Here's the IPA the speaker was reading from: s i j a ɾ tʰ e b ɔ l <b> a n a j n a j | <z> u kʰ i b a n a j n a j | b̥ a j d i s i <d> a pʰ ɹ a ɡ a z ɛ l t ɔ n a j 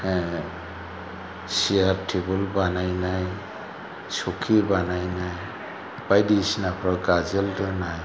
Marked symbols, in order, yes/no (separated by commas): yes, no, no